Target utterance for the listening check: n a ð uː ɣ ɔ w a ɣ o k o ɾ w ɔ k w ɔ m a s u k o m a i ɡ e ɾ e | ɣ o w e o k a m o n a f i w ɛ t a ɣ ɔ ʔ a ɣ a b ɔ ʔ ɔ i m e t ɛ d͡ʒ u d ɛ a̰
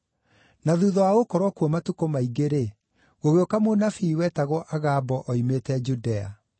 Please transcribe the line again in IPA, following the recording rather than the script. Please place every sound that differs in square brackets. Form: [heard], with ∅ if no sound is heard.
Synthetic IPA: n a ð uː [ð] ɔ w a ɣ o k [ɔ] ɾ w ɔ k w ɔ m a [t] u k o m a i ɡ e ɾ e | ɣ o [ɣ] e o k a m o n a f i w ɛ t a ɣ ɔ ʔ a ɣ a b ɔ ʔ ɔ i m e t ɛ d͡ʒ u d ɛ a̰

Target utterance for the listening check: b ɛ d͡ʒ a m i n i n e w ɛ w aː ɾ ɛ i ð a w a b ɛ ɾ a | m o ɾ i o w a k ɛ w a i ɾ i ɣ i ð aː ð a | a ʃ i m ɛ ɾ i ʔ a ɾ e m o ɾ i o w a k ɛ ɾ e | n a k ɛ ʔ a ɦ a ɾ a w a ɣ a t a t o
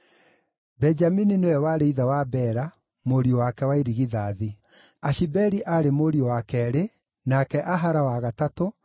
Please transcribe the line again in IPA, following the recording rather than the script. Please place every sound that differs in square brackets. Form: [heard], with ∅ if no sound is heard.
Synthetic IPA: b ɛ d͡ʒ a m i n i n e w ɛ w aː ɾ [e] i ð a w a b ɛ ɾ a | m o ɾ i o w a k ɛ w a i ɾ i ɣ i ð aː ð [i] | a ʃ i [b] ɛ ɾ i ʔ a ɾ e m o ɾ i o w a k ɛ ɾ e | n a k ɛ ʔ a ɦ a ɾ a w a ɣ a t a t o

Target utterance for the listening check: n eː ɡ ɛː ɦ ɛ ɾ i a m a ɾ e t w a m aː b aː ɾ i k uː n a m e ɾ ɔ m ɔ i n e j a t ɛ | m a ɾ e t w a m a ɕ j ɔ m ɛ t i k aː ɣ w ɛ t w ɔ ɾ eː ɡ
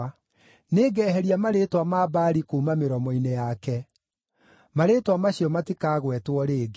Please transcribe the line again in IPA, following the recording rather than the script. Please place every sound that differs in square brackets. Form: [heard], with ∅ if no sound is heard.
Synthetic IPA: n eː ɡ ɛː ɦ ɛ ɾ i a m a ɾ e t w a m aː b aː ɾ i k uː [m] a m e ɾ ɔ m ɔ i n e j a [k] ɛ | m a ɾ e t w a m a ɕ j ɔ m [a] t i k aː ɣ w ɛ t w ɔ ɾ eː ɡ

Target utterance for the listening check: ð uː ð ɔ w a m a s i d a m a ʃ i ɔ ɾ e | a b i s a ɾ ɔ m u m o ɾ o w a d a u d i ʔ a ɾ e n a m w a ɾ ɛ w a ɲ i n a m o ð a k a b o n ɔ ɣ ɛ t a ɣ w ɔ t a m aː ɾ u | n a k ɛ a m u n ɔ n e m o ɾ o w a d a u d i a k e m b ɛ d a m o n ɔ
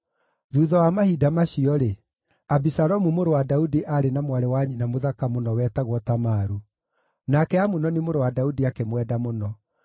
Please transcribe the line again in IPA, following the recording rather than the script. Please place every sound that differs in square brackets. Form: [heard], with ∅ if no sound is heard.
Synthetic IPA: ð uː ð ɔ w a m a [h] i d a m a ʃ i ɔ ɾ e | a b i s a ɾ ɔ m u m o ɾ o w a d a u d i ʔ a ɾ e n a m w a ɾ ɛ w a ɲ i n a m o ð a k a [m] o n ɔ [w] ɛ t a ɣ w ɔ t a m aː ɾ u | n a k ɛ a m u n ɔ n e m o ɾ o w a d a u d i a k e m [w] ɛ d a m o n ɔ

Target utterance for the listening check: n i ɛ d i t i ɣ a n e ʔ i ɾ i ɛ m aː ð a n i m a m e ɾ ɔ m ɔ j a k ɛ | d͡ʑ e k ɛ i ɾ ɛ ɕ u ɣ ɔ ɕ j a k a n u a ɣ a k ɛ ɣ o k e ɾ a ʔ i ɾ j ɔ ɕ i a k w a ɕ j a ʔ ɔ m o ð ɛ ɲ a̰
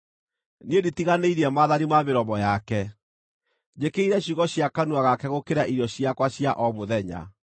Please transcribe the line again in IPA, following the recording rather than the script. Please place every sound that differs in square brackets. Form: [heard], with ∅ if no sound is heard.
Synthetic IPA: n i [e] d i t i ɣ a n e [∅] i ɾ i ɛ m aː ð a n i m a m e ɾ ɔ m ɔ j a k ɛ | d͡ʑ e k [e] i ɾ ɛ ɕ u ɣ ɔ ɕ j a k a n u a ɣ a k ɛ ɣ o k e ɾ a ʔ i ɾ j ɔ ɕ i a k w a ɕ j a ʔ ɔ m o ð ɛ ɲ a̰

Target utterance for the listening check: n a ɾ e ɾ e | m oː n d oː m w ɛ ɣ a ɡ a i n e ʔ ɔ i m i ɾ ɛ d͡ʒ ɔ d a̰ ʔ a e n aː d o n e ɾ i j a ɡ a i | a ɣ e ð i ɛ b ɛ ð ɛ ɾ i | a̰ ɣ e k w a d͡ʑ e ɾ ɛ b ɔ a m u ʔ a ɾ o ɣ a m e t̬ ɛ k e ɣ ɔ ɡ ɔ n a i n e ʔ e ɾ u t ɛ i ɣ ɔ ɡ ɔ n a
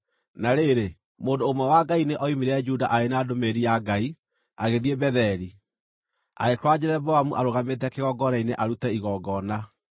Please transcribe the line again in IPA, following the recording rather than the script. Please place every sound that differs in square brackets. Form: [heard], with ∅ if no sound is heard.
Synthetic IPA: n a ɾ e ɾ e | m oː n d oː m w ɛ [w] a ɡ a i n e ʔ ɔ i m i ɾ ɛ d͡ʒ [u] d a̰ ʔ a e n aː d o [m] e ɾ i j a ɡ a i | a ɣ e ð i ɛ b ɛ ð ɛ ɾ i | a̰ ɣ e k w a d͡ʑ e ɾ ɛ b ɔ a m u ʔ a ɾ o ɣ a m e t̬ ɛ k e ɣ ɔ ɡ ɔ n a i n e ʔ [a] ɾ u t ɛ i ɣ ɔ ɡ ɔ n a

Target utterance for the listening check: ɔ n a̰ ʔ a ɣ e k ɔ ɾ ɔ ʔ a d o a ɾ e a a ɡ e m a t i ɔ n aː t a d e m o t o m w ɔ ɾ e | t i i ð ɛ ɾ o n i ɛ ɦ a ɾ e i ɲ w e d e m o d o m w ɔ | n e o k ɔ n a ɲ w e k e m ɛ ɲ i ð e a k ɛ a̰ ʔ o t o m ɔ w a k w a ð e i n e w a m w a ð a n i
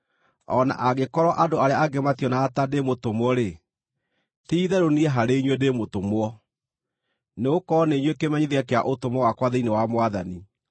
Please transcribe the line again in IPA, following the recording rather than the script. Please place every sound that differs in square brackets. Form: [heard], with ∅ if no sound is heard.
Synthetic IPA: ɔ n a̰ ʔ a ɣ e k ɔ ɾ ɔ ʔ a d o a ɾ e a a ɡ e m a t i ɔ n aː t a d e m o t o m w ɔ ɾ e | t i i ð ɛ ɾ o n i ɛ ɦ a ɾ e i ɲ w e d e m o [t] o m w ɔ | n e o k ɔ n [e] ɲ w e k e m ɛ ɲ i ð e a k [e] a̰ ʔ o t o m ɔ w a k w a ð e i n e w a m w a ð a n i

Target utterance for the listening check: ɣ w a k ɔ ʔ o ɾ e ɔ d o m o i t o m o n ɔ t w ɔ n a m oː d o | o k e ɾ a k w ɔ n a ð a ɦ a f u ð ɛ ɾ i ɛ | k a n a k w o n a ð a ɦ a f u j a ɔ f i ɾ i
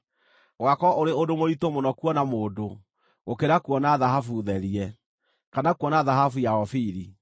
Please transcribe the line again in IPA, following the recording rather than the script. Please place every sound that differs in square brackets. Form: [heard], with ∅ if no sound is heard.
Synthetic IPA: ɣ w a k ɔ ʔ o ɾ e [o] d o m o i t o m o n ɔ [k] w ɔ n a m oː d o | o k e ɾ a k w ɔ n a ð a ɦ a f u ð ɛ ɾ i ɛ | k a n a k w [ɔ] n a ð a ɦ a f u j a ɔ f i ɾ i

